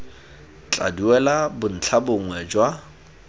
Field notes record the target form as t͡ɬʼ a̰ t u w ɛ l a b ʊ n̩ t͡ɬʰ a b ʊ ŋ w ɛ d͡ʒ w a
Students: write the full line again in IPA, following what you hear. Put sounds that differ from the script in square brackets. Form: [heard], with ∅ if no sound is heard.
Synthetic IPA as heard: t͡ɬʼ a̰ [d] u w ɛ l a b ʊ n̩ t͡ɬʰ a b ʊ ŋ w ɛ d͡ʒ w a